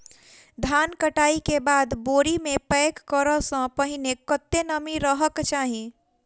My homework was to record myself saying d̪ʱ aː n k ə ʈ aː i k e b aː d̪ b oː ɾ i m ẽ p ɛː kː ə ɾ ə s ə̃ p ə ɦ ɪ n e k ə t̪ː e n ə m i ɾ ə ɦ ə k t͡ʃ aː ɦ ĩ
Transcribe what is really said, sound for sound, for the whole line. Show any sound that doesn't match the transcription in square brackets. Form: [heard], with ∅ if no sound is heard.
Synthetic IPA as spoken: d̪ʱ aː n k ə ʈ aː i k e b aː d̪ b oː ɾ i m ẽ p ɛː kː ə ɾ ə s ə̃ p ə ɦ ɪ n e k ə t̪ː e n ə m i ɾ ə ɦ ə k t͡ʃ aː ɦ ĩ